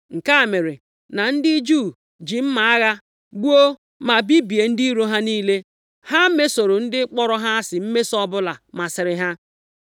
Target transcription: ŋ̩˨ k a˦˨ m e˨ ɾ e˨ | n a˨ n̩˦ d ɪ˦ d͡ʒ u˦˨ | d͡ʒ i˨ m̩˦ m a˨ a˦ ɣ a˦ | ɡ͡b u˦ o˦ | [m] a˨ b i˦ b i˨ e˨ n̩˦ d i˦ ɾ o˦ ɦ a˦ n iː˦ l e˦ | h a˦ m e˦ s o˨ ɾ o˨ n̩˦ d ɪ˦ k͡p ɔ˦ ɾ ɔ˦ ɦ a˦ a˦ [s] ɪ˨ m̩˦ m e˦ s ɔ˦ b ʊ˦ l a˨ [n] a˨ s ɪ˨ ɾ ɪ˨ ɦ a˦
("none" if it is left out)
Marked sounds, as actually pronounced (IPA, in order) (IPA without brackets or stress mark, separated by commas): m, s, m